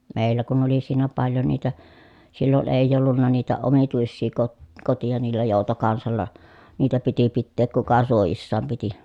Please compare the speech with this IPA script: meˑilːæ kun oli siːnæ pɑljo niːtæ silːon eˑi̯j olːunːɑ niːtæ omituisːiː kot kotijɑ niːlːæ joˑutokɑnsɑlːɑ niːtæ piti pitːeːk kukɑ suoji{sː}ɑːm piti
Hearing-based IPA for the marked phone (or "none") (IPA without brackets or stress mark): sː